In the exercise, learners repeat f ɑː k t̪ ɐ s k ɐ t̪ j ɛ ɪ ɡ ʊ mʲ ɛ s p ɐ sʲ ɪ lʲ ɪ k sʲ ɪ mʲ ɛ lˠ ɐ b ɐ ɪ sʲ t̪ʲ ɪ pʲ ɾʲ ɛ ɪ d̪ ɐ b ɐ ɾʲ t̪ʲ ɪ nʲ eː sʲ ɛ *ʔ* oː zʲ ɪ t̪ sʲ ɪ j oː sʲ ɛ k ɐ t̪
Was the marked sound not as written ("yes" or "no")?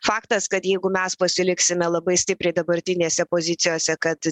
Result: yes